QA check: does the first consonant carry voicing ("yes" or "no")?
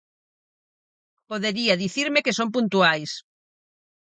no